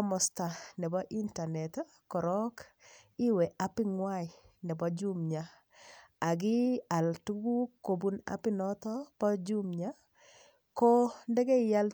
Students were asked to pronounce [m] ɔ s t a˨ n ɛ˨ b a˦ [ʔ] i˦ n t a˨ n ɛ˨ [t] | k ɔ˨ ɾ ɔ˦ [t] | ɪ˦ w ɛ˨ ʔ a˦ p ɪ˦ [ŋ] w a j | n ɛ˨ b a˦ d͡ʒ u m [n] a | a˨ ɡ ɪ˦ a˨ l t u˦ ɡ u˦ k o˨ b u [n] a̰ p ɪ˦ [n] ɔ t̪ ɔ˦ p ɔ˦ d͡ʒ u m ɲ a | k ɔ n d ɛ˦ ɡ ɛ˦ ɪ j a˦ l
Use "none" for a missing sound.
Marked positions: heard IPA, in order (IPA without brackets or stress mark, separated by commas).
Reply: m, ʔ, t, k, ŋ, ɲ, n, n